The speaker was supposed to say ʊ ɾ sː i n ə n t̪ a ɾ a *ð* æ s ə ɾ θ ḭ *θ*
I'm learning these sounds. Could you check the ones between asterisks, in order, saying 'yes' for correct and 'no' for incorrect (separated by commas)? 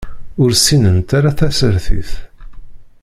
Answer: no, yes